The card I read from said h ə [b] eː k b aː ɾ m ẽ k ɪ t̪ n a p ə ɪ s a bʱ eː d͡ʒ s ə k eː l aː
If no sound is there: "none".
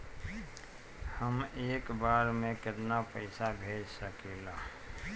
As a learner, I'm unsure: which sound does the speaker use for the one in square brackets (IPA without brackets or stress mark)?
m